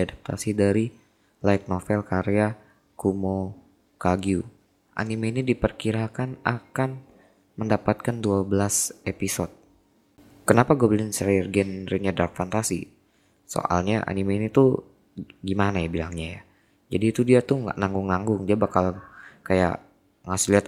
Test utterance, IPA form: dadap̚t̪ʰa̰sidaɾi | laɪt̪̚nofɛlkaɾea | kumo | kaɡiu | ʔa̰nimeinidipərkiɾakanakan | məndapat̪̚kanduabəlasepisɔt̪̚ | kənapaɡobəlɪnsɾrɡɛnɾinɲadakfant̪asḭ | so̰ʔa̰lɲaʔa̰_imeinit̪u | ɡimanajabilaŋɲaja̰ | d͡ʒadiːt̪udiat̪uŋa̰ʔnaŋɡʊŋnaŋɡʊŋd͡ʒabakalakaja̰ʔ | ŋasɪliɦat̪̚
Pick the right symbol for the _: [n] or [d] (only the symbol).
n